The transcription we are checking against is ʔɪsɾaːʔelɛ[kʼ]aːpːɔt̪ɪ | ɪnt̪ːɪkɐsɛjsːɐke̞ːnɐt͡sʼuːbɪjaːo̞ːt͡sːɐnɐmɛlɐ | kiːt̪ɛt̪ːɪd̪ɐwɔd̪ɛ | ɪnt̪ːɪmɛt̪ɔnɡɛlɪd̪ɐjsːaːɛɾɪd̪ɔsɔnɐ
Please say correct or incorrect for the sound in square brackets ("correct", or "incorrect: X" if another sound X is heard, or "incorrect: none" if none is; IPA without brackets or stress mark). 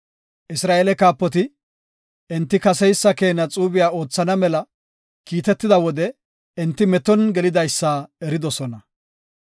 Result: incorrect: k